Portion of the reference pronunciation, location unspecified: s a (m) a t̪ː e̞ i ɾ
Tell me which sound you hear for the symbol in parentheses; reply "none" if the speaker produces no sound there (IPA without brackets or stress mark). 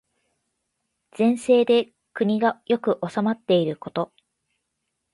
m